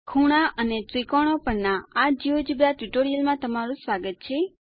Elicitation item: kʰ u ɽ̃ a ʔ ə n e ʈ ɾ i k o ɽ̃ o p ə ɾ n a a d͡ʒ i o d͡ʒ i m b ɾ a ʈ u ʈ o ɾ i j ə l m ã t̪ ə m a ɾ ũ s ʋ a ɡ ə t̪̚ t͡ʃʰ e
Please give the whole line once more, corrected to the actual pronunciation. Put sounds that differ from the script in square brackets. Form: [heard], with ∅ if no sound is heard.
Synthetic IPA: kʰ u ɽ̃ a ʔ ə n e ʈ ɾ i k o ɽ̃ o p ə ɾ n a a d͡ʒ i o d͡ʒ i [∅] b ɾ a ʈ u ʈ o ɾ i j ə l m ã t̪ ə m a ɾ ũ s ʋ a ɡ ə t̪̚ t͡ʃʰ e